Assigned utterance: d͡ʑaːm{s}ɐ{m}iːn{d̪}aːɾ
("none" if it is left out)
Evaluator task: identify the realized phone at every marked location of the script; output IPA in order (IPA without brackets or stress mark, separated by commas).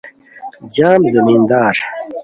z, m, d̪